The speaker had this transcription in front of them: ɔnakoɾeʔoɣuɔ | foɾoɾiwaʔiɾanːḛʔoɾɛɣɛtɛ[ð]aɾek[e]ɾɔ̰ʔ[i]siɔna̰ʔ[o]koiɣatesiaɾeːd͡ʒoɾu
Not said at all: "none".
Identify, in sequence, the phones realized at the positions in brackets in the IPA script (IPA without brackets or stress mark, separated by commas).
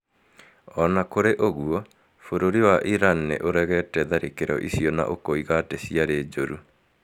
ð, e, i, o